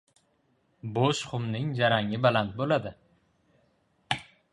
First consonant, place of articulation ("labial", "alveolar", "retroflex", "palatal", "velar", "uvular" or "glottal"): labial